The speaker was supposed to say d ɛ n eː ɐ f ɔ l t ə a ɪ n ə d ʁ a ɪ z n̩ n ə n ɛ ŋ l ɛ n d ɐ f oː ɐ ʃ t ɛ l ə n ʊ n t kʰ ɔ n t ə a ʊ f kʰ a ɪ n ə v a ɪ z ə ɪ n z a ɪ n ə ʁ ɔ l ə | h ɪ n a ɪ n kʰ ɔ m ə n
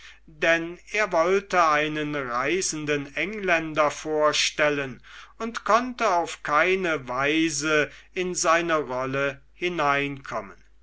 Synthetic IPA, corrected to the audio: d ɛ n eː ɐ v ɔ l t ə a ɪ n ə n ʁ a ɪ z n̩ d ə n ɛ ŋ l ɛ n d ɐ f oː ɐ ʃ t ɛ l ə n ʊ n t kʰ ɔ n t ə a ʊ f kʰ a ɪ n ə v a ɪ z ə ɪ n z a ɪ n ə ʁ ɔ l ə | h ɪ n a ɪ n kʰ ɔ m ə n